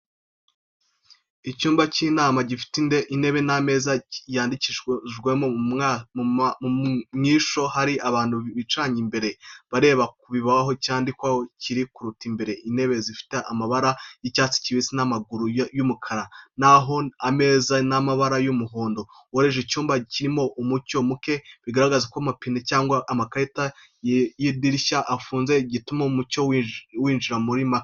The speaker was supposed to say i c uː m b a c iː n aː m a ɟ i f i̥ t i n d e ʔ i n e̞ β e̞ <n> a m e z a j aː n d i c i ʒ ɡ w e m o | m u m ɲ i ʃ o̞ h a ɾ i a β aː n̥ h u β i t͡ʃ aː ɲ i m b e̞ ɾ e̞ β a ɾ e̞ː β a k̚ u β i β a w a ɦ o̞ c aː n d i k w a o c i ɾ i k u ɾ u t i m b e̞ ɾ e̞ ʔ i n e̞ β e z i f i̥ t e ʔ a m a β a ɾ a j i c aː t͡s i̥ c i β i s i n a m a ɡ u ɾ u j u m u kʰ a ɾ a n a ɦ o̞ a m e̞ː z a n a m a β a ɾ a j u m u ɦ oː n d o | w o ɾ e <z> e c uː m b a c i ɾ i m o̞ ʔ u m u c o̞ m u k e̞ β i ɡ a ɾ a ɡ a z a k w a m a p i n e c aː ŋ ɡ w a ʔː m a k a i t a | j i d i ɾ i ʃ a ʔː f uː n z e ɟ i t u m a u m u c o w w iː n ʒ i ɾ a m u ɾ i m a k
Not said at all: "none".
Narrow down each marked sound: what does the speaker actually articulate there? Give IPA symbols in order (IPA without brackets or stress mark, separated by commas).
n, ʒ